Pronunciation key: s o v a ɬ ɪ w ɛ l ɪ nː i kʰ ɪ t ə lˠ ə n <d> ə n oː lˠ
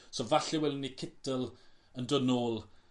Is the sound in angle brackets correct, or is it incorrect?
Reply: correct